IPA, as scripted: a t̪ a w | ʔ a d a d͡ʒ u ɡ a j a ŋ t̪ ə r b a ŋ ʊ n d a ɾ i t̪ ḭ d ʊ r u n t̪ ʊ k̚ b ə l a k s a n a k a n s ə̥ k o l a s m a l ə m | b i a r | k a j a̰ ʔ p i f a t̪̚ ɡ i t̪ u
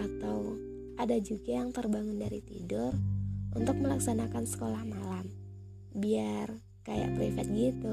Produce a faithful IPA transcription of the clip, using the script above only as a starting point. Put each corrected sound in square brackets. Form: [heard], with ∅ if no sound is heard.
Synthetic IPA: a t̪ a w | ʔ a d a d͡ʒ u ɡ a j a ŋ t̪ ə r b a ŋ ʊ n d a ɾ i t̪ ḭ d ʊ r u n t̪ ʊ k̚ [m] ə l a k s a n a k a n s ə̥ k o l a [h] m a l [a] m | b i a r | k a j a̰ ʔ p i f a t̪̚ ɡ i t̪ u